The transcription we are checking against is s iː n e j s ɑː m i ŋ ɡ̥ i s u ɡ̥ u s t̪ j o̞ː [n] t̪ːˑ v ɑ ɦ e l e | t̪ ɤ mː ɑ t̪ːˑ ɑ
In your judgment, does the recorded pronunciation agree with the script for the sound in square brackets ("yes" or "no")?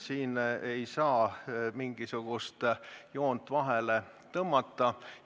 yes